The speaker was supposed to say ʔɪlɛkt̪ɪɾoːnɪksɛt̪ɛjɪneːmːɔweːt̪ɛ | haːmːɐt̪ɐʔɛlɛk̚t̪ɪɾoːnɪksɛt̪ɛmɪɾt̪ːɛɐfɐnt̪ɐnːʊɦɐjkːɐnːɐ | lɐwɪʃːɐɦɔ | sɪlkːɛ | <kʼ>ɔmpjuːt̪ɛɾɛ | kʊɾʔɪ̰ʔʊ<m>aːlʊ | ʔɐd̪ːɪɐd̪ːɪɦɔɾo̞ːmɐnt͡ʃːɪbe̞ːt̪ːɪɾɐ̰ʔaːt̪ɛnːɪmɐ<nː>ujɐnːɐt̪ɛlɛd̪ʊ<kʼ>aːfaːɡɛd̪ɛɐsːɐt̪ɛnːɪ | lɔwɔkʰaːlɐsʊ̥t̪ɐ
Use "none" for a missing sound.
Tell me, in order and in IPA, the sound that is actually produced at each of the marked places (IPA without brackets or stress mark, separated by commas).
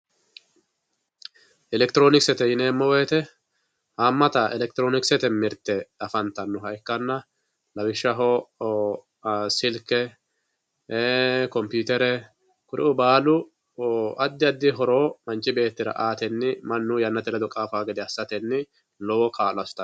k, b, nː, kʼ